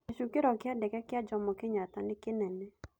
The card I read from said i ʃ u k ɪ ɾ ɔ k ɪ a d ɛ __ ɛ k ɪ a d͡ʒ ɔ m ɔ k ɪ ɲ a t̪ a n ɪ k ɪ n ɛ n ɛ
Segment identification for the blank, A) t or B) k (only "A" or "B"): B